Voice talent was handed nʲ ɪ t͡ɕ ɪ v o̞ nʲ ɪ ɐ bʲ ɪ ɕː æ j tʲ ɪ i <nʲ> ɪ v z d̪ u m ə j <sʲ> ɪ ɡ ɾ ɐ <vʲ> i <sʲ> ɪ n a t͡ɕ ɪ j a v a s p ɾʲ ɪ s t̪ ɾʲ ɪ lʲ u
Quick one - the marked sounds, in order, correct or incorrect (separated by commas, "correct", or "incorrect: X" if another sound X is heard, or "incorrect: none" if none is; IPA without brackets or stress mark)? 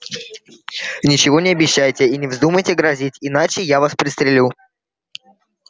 correct, incorrect: tʲ, incorrect: zʲ, incorrect: tʲ